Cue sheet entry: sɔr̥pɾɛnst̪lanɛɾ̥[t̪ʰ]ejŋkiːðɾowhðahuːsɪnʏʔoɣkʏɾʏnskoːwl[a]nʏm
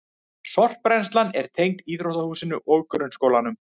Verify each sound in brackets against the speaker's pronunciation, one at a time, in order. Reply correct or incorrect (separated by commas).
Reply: correct, correct